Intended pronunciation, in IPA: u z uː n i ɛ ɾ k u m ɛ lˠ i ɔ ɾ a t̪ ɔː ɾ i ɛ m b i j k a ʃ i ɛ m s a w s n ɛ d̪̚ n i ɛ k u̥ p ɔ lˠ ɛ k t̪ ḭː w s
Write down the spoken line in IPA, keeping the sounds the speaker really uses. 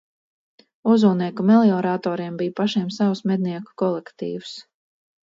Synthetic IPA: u z uː n i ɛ k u m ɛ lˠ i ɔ ɾ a t̪ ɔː ɾ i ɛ m b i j p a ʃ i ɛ m s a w s m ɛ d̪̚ n i ɛ k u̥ k ɔ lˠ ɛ k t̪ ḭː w s

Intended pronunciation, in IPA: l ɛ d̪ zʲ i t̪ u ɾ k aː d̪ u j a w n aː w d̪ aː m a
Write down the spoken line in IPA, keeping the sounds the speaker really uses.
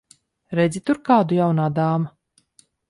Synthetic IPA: ɾ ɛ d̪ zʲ i t̪ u ɾ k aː d̪ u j a w n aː d̪ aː m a

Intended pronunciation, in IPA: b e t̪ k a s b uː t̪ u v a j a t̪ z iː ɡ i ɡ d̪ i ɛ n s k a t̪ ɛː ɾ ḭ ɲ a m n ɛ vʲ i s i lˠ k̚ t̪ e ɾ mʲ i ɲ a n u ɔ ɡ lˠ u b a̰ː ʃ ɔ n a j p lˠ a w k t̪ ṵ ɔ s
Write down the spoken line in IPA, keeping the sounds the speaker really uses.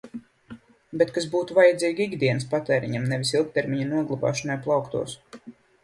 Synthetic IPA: b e t̪ k a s b uː t̪ u v a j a d̪ z iː ɡ i ɡ d̪ i ɛ n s p a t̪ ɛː ɾ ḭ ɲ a m n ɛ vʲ i s i lˠ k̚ t̪ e ɾ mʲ i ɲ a n u ɔ ɡ lˠ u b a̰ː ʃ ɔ n a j p lˠ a w k t̪ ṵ ɔ s

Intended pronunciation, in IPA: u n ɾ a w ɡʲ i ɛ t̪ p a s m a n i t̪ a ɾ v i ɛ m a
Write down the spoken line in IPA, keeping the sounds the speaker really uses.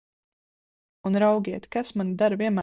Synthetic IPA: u n ɾ a w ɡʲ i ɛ t̪ k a s m a n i d̪ a ɾ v i ɛ m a

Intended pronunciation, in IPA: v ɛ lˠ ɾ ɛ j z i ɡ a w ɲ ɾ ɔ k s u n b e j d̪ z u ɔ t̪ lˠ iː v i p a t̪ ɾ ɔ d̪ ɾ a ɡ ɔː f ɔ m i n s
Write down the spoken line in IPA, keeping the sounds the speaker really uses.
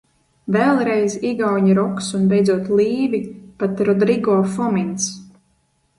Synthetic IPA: v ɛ lˠ ɾ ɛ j z i ɡ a w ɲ ɾ ɔ k s u n b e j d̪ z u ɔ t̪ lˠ iː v i p a t̪ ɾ ɔ d̪ ɾ i ɡ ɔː f ɔ m i n s

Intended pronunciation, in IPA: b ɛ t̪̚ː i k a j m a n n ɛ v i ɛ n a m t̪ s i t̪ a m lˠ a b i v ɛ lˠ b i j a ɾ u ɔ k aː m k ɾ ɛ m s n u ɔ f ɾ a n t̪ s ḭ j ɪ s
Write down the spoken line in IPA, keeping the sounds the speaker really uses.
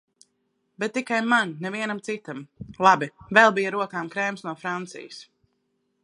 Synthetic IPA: b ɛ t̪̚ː i k a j m a n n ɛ v i ɛ n a m t̪ s i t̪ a m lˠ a b i v ɛ lˠ b i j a ɾ u ɔ k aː m k ɾ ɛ m s n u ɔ f ɾ a n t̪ s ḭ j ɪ s

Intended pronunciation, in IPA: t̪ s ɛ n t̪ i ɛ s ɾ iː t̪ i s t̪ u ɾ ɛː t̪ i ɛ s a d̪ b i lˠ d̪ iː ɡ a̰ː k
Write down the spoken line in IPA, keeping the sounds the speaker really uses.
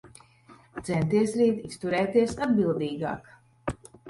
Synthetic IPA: t̪ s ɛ n t̪ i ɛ s ɾ iː t̪ i s t̪ u ɾ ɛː t̪ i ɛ s a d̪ b i lˠ d̪ iː ɡ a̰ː k

